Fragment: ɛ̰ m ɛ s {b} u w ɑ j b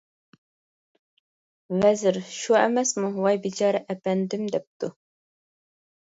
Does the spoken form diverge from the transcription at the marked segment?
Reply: yes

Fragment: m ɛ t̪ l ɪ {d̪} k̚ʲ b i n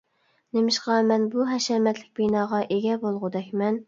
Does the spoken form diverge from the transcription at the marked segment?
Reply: yes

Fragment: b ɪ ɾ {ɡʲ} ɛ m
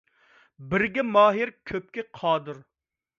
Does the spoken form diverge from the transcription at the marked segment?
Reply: no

